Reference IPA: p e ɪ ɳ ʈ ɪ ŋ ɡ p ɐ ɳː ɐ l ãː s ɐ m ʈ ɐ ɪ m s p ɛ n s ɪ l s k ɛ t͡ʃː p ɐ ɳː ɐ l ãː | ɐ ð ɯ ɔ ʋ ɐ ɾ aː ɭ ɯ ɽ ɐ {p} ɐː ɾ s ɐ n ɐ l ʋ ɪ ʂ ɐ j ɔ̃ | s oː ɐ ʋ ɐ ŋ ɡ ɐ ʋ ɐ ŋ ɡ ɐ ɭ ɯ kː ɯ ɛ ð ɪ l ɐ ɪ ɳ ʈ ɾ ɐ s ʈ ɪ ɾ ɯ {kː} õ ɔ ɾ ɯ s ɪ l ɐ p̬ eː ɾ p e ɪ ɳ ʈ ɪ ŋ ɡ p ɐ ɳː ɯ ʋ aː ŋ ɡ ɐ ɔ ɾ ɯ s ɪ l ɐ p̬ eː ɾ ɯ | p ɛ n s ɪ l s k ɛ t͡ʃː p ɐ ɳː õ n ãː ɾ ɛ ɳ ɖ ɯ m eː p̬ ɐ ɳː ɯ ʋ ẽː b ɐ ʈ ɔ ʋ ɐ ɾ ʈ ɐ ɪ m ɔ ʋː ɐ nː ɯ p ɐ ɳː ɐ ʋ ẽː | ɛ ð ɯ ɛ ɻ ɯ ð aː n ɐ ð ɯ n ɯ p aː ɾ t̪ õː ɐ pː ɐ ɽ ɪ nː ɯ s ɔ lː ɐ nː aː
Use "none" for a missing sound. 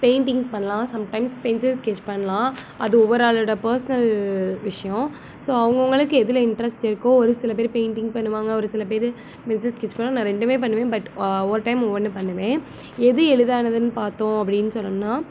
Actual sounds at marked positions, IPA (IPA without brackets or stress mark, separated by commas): p, kː